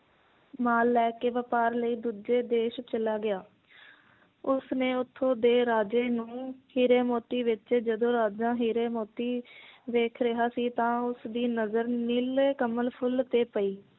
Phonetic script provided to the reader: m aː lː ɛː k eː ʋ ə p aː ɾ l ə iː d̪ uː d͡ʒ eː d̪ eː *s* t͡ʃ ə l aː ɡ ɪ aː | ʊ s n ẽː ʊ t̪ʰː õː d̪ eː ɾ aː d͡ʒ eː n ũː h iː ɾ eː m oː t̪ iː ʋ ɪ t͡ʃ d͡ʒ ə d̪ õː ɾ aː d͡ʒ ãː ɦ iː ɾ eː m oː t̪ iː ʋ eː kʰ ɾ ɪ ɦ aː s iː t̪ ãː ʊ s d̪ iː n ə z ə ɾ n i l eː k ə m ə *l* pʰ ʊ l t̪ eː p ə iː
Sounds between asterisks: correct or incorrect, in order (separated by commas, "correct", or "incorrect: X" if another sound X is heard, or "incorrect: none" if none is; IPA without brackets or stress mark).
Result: incorrect: ʃ, correct